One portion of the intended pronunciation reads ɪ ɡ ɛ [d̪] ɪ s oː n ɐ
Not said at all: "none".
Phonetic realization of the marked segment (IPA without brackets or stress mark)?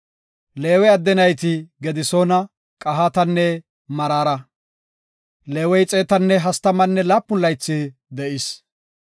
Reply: d̪